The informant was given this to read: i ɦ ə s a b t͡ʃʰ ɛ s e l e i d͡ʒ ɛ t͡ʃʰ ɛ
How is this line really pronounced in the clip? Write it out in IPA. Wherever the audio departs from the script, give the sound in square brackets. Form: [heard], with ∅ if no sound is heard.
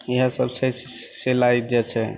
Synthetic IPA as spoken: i ɦ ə s [ə] b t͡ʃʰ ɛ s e l [a] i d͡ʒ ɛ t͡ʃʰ ɛ